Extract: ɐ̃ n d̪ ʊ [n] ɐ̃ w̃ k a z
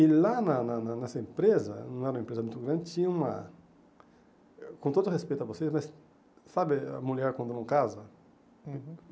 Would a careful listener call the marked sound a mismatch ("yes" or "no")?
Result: no